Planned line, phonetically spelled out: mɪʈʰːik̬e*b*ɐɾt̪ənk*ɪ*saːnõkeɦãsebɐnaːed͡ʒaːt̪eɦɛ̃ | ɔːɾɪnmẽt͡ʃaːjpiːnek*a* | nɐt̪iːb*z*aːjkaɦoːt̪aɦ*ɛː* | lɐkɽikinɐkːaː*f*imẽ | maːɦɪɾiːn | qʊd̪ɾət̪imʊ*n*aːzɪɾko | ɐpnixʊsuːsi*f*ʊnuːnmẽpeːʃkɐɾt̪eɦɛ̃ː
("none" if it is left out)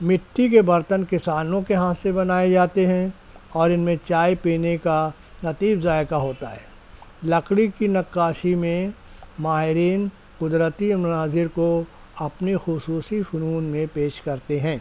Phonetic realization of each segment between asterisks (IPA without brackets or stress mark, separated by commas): b, ɪ, a, z, ɛː, ʃ, n, f